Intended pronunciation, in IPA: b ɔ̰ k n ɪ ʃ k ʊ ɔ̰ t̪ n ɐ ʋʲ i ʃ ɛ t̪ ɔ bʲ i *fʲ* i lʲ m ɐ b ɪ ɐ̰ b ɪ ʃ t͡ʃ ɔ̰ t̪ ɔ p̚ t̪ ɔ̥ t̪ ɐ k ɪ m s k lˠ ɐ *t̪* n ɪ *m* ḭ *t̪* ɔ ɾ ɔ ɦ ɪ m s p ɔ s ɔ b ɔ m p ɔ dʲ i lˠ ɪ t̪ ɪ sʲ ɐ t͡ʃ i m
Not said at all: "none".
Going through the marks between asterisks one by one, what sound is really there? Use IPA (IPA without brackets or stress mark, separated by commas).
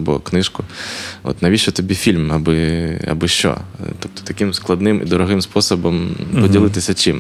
fʲ, d̪, m, d̪